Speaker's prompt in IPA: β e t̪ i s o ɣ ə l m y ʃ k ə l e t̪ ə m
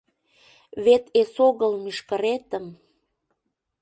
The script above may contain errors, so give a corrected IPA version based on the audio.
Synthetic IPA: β e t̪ e s o ɣ ə l m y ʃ k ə ɾ e t̪ ə m